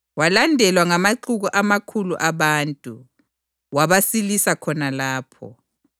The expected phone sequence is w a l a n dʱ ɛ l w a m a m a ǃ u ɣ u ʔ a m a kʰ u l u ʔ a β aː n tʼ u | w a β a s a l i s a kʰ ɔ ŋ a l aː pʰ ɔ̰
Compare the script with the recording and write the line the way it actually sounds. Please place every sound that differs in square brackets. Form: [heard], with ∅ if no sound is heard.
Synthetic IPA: w a l a n dʱ ɛ l w a [ŋ] a m a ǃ u ɣ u ʔ a m a kʰ u l u ʔ a β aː n tʼ u | w a β a s [i] l i s a kʰ ɔ [n] a l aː pʰ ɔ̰